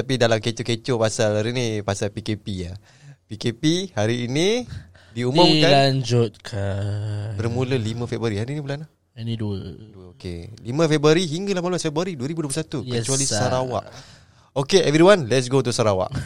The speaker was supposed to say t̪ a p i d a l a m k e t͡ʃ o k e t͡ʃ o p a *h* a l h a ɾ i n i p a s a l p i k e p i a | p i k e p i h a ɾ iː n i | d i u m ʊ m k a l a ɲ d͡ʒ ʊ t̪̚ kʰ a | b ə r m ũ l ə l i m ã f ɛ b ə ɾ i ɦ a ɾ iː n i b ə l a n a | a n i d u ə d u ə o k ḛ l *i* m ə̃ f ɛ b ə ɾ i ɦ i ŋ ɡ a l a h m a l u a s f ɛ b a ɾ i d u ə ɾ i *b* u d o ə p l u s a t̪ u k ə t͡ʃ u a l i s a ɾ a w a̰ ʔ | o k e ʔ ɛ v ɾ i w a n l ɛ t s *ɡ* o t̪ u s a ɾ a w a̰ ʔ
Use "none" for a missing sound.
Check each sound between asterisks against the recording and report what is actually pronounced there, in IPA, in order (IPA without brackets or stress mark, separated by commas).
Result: s, i, b, ɡ